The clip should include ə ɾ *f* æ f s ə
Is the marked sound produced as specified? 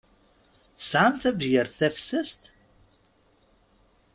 no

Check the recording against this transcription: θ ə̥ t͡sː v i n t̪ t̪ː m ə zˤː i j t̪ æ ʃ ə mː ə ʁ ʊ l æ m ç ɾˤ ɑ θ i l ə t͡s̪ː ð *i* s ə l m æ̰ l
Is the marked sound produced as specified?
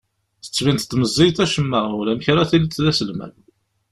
no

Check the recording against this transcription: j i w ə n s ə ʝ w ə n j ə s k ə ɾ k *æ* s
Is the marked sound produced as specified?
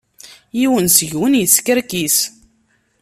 no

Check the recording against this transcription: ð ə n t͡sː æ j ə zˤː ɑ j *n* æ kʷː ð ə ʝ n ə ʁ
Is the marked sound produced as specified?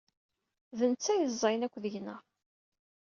yes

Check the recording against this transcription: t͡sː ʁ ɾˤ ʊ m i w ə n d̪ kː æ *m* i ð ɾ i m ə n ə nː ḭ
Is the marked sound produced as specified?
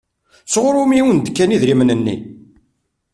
no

